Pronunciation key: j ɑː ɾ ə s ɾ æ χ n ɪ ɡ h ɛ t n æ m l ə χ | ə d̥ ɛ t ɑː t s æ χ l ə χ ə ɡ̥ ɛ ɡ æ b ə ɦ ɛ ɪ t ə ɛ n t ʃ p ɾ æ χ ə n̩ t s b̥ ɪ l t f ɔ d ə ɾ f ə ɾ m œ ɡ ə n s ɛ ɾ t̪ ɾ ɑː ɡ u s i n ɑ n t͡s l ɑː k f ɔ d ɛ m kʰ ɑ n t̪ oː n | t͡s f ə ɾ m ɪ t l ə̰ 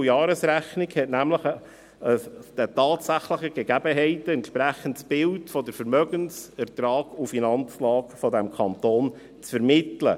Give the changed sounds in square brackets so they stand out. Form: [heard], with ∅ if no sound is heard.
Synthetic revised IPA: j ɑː ɾ ə s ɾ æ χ n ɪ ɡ h ɛ t n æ m l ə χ | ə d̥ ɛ t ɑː t s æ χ l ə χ ə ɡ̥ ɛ ɡ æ b ə ɦ ɛ ɪ t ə ɛ n t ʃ p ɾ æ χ ə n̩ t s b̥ ɪ l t f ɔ d ə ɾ f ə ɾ m œ ɡ ə n s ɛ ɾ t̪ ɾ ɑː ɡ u [f] i n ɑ n t͡s l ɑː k f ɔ d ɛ m kʰ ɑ n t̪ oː n | t͡s f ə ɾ m ɪ t l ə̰